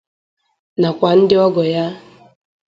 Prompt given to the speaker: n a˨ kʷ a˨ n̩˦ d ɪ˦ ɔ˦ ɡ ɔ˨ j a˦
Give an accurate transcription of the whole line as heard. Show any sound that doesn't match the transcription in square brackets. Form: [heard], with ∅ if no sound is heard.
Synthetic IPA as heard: n a˨ kʷ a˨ n̩˦ d ɪ˦ ɔ˦ ɡ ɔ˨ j a˦